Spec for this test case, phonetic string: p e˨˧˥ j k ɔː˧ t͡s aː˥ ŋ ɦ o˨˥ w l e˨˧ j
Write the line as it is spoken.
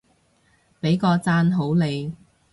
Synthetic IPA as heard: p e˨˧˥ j k ɔː˧ t͡s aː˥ n ɦ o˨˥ w l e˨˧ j